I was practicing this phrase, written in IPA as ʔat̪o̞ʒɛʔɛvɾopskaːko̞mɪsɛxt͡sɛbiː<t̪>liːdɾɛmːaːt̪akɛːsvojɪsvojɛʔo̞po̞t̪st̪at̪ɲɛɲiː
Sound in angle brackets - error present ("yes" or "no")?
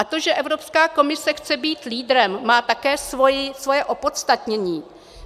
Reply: no